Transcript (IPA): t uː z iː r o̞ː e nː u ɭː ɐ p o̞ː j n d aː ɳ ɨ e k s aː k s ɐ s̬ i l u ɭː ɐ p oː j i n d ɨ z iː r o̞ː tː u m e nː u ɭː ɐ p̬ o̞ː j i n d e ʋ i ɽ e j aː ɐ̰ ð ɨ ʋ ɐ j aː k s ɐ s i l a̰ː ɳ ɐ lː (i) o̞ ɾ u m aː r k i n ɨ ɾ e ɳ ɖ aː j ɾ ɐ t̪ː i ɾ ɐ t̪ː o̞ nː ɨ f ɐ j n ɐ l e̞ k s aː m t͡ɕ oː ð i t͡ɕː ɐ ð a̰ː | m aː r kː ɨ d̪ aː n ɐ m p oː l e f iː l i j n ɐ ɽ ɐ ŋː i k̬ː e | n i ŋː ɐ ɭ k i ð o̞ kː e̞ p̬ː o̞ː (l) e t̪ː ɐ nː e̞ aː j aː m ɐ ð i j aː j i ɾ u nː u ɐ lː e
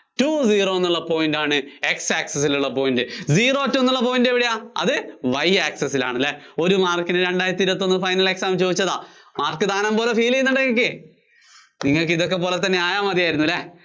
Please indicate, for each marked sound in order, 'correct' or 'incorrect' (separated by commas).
incorrect, correct